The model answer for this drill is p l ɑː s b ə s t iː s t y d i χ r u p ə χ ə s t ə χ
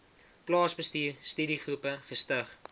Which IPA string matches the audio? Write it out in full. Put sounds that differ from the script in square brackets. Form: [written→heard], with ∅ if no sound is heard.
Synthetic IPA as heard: p l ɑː s b ə s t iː s t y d i χ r u p ə χ ə s t ə χ